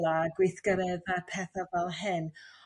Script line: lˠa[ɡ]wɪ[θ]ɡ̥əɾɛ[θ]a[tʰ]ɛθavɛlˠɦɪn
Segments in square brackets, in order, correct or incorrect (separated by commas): correct, correct, incorrect, incorrect